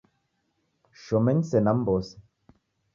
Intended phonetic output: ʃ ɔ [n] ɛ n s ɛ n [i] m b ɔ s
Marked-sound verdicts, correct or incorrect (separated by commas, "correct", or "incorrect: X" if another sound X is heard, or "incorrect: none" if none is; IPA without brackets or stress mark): incorrect: m, incorrect: a